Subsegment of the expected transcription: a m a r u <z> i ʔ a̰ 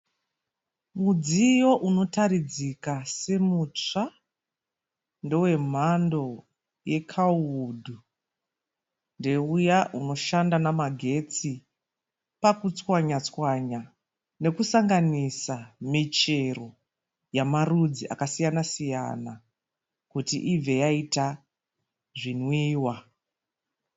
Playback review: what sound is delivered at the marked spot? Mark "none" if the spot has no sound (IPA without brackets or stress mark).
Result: d͡z